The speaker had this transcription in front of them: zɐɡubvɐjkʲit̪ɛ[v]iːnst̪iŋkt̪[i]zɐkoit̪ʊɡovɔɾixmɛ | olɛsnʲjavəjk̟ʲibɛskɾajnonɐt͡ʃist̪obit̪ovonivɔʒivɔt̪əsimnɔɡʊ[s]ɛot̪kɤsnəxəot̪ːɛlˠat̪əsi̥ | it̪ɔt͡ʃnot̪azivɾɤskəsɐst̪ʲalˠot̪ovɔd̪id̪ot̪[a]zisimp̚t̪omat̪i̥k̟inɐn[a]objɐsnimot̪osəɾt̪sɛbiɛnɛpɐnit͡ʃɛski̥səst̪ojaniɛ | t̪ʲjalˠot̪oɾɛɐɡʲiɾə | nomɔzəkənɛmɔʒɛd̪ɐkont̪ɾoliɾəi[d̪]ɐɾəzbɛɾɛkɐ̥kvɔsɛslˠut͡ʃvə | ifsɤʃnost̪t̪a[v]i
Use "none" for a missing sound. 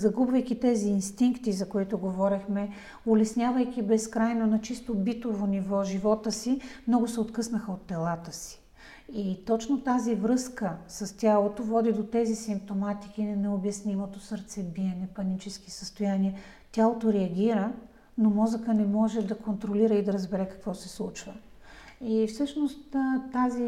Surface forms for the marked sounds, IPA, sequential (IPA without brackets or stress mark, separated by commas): z, i, s, ɛ, ɛ, d̪, z